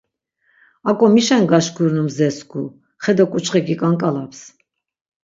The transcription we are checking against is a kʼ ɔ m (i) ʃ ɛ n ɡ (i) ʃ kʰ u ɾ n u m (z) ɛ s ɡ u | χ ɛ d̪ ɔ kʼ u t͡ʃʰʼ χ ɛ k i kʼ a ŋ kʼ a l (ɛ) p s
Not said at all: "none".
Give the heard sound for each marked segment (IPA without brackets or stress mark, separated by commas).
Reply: i, a, z, a